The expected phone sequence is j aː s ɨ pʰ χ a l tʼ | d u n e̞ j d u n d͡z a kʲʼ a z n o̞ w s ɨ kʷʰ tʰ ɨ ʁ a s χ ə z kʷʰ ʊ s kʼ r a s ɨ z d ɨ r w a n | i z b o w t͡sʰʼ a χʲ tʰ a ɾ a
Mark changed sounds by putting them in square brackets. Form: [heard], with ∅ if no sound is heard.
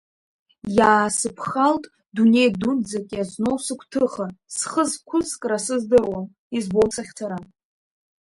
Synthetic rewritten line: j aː s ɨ pʰ χ a l tʼ | d u n e̞ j d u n d͡z a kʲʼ a z n o̞ w s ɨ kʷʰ tʰ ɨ [χ] a s χ ə z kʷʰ ʊ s kʼ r a s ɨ z d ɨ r w a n | i z b o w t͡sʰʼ a χʲ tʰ a ɾ a